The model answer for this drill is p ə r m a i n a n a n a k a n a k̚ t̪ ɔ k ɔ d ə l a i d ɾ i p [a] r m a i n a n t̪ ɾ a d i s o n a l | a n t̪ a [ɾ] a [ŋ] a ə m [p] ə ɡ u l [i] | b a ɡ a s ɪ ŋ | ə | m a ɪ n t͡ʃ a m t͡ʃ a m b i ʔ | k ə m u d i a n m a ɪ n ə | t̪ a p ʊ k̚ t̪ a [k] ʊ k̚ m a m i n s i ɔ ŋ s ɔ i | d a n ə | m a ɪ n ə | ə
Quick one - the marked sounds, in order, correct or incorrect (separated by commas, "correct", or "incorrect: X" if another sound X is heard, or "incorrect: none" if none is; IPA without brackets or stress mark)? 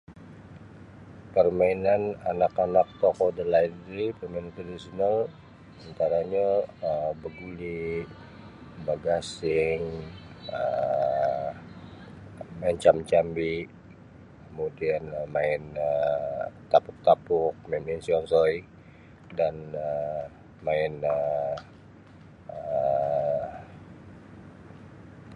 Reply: incorrect: ə, correct, incorrect: ɲ, incorrect: b, correct, incorrect: p